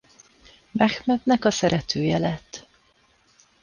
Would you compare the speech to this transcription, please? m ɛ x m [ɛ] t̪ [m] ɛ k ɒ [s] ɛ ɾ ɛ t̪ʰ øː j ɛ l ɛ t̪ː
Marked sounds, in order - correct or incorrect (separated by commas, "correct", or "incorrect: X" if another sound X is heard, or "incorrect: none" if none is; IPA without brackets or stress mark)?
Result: correct, incorrect: n, correct